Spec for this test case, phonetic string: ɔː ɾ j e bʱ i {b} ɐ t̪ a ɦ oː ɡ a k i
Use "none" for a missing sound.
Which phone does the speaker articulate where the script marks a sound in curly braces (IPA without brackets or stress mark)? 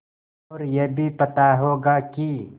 p